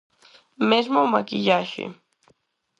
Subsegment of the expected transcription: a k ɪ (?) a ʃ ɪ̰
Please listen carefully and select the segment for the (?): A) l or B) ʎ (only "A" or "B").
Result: B